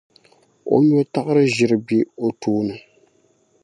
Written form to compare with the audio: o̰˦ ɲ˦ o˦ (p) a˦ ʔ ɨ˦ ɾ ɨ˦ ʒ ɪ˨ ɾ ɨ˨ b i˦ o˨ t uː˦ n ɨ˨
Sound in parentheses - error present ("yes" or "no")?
yes